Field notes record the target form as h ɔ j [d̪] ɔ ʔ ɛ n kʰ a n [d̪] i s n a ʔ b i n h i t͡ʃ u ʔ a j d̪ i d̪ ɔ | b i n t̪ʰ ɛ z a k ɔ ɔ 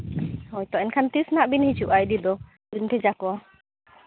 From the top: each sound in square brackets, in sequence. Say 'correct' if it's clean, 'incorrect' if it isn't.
incorrect: t̪, incorrect: t̪

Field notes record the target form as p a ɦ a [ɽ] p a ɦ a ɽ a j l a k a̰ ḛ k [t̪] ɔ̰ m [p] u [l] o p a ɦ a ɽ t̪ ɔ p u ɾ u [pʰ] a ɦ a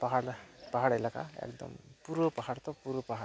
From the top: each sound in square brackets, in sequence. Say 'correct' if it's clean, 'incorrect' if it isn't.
correct, incorrect: d̪, correct, incorrect: ɾ, incorrect: p

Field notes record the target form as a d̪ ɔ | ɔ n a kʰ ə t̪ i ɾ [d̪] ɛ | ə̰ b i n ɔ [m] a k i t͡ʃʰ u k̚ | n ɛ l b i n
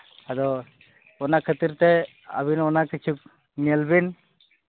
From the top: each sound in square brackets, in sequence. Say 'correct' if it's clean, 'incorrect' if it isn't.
incorrect: t̪, incorrect: n

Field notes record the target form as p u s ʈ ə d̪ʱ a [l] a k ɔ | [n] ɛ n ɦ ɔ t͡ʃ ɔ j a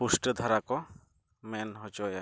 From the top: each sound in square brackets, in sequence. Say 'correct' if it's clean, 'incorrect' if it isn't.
incorrect: ɾ, incorrect: m

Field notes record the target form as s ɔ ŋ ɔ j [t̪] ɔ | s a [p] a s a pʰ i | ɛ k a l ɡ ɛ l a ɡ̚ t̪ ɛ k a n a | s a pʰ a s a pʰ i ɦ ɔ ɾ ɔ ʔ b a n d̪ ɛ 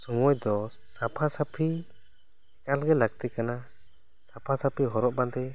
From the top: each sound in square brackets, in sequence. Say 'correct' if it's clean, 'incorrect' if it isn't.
incorrect: d̪, incorrect: pʰ

